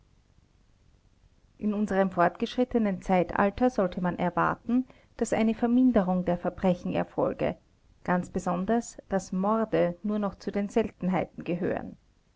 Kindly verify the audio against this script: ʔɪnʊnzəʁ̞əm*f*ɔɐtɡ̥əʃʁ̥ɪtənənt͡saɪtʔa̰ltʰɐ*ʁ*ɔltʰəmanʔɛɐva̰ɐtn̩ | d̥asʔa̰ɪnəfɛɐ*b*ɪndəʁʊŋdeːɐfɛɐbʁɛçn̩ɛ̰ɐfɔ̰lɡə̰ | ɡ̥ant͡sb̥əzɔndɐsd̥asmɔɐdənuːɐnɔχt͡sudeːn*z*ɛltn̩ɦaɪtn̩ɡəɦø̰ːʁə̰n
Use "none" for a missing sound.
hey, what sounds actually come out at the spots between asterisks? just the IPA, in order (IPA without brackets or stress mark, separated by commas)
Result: f, z, m, z